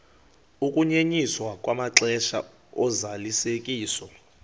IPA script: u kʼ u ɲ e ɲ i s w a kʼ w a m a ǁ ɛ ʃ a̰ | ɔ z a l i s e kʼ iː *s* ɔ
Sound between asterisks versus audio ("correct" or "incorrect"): correct